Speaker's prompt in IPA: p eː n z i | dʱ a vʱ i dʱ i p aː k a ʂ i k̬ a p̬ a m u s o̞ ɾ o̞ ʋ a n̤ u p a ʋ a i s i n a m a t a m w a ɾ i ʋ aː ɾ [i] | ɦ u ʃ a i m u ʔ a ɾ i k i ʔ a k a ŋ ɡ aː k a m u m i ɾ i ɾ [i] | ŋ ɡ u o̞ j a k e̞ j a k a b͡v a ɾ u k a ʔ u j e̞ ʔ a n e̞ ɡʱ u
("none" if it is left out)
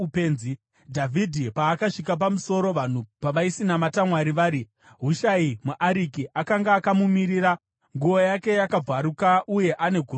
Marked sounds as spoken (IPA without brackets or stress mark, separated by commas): i, a